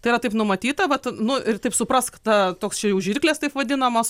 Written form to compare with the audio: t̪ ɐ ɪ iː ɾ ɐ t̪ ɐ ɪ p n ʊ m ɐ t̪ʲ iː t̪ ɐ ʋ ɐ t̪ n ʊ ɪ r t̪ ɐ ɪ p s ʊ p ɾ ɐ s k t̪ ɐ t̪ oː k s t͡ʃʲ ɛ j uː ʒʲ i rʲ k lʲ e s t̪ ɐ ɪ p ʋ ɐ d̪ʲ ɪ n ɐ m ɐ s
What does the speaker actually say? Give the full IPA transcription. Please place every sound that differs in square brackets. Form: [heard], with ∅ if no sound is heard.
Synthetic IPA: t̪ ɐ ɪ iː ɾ ɐ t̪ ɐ ɪ p n ʊ m ɐ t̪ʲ iː t̪ ɐ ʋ ɐ t̪ n ʊ ɪ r t̪ ɐ ɪ p s ʊ p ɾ ɐ s k t̪ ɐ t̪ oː k s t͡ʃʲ ɛ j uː ʒʲ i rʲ k lʲ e s t̪ ɐ ɪ p ʋ ɐ d̪ʲ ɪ n ɐ m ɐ s